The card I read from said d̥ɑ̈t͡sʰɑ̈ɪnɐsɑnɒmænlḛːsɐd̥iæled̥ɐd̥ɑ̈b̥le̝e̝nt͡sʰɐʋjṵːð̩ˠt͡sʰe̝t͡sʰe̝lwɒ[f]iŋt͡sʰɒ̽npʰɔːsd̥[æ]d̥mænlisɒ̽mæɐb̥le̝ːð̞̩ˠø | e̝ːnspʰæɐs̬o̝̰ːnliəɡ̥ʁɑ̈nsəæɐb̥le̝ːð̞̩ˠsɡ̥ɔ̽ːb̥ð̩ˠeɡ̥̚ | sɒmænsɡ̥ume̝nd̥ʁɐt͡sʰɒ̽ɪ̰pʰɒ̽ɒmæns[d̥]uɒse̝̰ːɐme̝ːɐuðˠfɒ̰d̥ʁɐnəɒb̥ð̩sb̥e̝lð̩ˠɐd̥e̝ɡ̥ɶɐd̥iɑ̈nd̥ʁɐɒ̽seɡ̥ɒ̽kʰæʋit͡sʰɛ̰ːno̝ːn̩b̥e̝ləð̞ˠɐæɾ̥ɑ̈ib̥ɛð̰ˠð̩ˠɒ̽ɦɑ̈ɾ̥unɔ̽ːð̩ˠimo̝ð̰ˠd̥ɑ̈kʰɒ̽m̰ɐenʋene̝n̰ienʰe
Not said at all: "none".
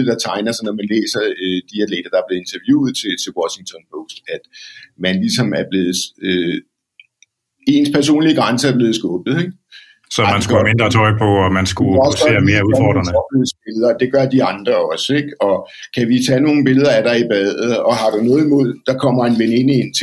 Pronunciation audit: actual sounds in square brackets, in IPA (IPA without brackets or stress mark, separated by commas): ɕ, æ, ɡ̥